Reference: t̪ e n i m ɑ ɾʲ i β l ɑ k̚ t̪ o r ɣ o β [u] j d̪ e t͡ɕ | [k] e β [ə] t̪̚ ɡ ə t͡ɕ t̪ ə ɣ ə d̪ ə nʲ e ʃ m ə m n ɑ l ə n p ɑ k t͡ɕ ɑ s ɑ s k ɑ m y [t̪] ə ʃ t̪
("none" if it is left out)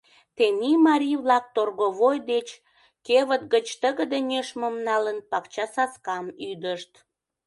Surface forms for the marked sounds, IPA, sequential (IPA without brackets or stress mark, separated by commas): o, k, ə, d̪